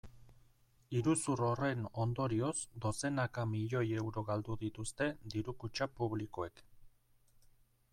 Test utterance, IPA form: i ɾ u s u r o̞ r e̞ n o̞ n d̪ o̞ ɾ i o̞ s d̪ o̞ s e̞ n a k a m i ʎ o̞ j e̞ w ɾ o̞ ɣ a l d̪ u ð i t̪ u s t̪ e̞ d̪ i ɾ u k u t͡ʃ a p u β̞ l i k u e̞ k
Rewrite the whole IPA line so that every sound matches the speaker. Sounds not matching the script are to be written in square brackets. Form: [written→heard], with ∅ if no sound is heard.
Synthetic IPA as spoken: i ɾ u s u r o̞ r e̞ n o̞ n d̪ o̞ ɾ i o̞ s d̪ o̞ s e̞ n a k a m i ʎ o̞ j e̞ w ɾ o̞ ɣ a l d̪ u ð i t̪ u s t̪ e̞ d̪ i ɾ u k u t͡ʃ a p u β̞ l i k [u→o] e̞ k